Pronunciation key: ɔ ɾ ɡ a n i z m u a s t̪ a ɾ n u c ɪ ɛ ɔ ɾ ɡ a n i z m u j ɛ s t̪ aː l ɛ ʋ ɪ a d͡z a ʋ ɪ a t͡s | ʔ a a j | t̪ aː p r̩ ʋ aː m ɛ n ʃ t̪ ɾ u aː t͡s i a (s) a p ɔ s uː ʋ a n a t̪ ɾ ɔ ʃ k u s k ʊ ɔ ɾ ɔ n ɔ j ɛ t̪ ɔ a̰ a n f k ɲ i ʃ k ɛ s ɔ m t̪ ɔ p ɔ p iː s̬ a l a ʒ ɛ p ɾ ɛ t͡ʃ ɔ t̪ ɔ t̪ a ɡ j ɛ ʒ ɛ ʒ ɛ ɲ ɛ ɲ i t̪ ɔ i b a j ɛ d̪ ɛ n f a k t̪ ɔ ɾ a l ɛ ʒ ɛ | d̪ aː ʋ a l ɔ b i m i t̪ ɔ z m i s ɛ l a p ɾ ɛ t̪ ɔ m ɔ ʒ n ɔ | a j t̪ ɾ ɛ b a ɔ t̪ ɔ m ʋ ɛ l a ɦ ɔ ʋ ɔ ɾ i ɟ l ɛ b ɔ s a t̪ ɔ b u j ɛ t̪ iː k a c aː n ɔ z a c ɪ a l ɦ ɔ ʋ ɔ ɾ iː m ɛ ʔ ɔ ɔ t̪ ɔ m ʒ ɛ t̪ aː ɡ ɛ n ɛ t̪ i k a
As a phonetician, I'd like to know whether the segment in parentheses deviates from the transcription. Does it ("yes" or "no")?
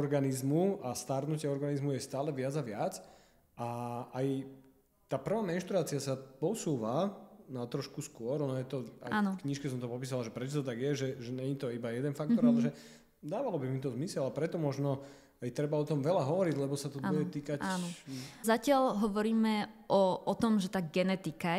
no